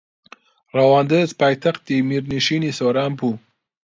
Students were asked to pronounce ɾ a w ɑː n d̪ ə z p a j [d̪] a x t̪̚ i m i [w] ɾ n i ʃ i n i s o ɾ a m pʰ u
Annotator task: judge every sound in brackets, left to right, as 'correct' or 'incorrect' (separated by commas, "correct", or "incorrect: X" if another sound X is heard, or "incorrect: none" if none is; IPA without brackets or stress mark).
incorrect: t̪, incorrect: none